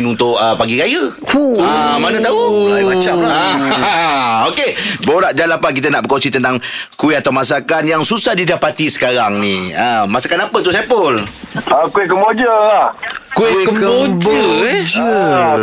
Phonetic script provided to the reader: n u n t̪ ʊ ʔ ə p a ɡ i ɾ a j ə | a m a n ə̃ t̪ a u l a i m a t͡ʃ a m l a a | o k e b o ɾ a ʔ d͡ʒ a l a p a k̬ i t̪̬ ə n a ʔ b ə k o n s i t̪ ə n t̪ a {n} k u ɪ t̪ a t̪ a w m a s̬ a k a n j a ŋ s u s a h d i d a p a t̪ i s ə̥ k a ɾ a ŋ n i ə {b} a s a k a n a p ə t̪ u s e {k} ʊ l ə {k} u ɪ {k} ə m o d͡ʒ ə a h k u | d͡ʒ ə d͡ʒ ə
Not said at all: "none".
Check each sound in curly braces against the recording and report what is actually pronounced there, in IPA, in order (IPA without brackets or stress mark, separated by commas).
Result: ŋ, m, p, k, k